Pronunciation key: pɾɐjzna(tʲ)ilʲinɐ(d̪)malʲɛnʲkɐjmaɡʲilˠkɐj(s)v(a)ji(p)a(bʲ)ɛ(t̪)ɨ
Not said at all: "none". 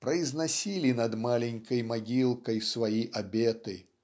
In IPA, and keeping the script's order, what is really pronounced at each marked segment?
sʲ, d̪, s, a, ʔ, bʲ, t̪

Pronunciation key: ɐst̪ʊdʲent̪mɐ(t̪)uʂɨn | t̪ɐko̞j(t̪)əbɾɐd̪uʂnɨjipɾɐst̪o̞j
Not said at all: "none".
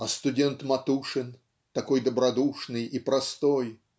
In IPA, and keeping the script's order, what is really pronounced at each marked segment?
t̪, d̪

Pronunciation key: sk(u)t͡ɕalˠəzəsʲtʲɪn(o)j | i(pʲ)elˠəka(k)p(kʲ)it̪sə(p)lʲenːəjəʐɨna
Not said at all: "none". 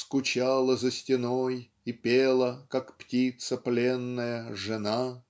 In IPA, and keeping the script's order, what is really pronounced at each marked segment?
ʊ, o, pʲ, k, tʲ, p

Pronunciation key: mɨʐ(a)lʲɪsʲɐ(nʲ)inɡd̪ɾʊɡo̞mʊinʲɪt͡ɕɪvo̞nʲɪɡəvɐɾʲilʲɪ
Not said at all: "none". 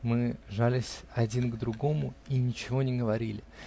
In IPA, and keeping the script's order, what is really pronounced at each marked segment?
a, dʲ

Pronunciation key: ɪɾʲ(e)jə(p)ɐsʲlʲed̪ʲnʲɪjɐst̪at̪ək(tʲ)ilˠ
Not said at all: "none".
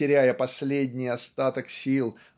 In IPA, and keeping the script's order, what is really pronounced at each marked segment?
æ, p, sʲ

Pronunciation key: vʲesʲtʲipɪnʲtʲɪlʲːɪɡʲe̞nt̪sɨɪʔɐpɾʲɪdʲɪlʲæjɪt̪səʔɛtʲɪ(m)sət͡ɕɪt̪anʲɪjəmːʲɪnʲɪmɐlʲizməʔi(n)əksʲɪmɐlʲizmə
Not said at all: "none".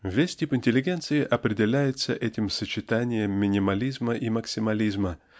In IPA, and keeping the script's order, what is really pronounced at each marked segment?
m, m

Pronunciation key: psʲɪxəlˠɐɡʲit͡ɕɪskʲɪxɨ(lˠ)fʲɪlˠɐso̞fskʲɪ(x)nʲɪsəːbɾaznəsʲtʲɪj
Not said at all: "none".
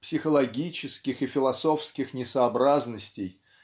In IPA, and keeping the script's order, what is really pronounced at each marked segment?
none, x

